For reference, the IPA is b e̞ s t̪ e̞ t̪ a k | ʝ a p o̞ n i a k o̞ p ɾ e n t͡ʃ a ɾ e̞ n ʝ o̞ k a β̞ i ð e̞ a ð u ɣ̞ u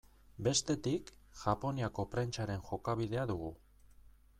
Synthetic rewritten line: b e̞ s t̪ e̞ t̪ i k | ʝ a p o̞ n i a k o̞ p ɾ e n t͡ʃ a ɾ e̞ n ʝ o̞ k a β̞ i ð e̞ a ð u ɣ̞ u